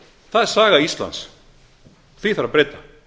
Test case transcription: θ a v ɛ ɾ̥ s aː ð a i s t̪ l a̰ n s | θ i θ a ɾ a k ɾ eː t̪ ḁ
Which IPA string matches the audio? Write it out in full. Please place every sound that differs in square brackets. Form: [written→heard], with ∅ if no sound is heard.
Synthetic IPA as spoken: θ a [v→ð] ɛ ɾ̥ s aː [ð→ɣ] a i s t̪ l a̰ n s | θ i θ a ɾ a [k→p] ɾ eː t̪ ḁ